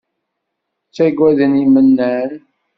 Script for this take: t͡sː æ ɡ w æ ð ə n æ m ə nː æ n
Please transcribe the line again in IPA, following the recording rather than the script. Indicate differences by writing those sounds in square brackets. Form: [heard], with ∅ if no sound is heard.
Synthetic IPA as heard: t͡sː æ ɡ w æ ð ə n [i] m ə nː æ n